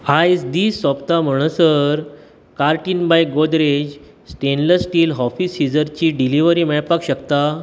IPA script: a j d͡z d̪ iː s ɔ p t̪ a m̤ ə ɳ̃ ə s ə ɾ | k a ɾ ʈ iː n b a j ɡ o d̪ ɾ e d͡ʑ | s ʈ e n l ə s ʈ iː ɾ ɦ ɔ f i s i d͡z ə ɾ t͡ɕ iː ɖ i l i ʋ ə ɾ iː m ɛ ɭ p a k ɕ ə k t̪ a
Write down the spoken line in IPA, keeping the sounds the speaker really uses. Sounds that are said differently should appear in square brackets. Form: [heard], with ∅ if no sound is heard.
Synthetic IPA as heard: a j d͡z d̪ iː s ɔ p t̪ a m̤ ə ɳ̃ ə s ə ɾ | k a ɾ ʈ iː n b a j ɡ o d̪ ɾ e d͡ʑ | s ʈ e n l ə s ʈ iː [l] ɦ ɔ f i s i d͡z ə ɾ t͡ɕ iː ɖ i l i ʋ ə ɾ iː m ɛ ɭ p a k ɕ ə k t̪ a